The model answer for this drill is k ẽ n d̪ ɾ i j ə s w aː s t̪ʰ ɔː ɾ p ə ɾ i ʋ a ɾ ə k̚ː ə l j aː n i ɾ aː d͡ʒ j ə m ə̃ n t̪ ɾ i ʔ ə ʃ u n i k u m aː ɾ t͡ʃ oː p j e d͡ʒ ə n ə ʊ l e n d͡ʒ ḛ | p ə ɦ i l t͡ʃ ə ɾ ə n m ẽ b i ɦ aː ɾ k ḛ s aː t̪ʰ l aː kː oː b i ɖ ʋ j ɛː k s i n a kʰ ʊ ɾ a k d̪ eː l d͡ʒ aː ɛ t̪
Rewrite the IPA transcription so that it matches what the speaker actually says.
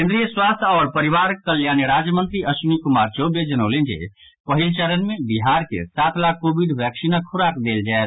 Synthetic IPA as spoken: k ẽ n d̪ ɾ i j ə s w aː s t̪ʰ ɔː ɾ p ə ɾ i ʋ a ɾ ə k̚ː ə l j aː n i ɾ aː d͡ʒ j ə m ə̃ n t̪ ɾ i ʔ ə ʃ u n i k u m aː ɾ t͡ʃ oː b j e d͡ʒ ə n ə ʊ l e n d͡ʒ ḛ | p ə ɦ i l t͡ʃ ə ɾ ə n m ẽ b i ɦ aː ɾ k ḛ s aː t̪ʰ l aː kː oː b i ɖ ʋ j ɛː k s i n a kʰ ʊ ɾ a k d̪ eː l d͡ʒ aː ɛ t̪